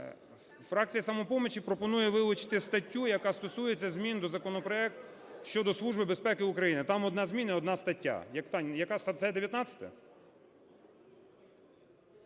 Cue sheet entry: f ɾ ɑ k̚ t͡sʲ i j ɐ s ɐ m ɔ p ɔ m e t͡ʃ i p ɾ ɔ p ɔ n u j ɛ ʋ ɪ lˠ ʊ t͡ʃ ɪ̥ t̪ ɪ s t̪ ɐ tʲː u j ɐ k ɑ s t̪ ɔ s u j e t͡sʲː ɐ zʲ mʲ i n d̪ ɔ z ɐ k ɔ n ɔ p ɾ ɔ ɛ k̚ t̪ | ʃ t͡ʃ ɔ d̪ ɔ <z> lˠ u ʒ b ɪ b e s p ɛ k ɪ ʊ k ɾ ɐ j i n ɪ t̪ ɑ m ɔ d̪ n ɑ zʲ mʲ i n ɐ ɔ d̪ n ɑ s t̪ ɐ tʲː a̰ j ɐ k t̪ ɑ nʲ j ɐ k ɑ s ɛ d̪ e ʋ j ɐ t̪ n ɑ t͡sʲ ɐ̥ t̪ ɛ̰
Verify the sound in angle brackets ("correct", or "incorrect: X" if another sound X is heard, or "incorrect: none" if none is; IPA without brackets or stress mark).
incorrect: s